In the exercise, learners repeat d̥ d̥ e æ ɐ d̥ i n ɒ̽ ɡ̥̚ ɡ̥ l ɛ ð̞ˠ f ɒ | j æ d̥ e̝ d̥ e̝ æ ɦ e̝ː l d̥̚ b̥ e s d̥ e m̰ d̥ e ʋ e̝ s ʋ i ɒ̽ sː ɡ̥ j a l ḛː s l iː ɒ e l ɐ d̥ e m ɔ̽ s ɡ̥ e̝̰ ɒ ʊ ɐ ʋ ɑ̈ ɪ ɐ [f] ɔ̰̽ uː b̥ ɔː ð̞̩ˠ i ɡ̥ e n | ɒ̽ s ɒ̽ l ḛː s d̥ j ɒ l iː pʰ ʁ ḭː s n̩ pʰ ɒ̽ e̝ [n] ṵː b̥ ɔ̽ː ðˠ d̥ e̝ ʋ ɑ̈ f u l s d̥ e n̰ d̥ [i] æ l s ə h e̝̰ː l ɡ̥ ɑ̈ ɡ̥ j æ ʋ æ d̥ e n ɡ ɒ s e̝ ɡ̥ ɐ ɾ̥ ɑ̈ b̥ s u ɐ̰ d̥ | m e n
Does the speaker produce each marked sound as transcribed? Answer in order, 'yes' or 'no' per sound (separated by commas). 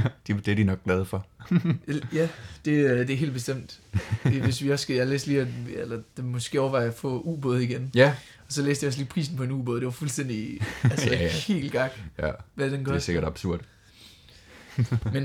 yes, yes, yes